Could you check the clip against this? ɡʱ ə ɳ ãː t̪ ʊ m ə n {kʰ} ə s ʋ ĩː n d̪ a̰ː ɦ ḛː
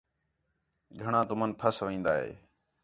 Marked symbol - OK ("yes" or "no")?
no